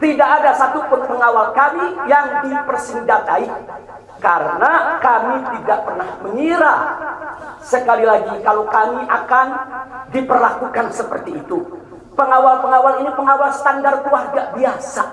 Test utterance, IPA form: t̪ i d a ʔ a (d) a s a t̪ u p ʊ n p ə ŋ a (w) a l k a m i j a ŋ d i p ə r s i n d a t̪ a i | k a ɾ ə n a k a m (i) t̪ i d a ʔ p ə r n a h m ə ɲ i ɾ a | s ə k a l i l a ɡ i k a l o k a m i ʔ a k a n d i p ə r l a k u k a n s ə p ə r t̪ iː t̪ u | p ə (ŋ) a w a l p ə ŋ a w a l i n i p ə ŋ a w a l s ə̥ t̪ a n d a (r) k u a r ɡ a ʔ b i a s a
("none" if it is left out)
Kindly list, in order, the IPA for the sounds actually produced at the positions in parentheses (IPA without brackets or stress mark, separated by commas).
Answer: d, w, i, ŋ, r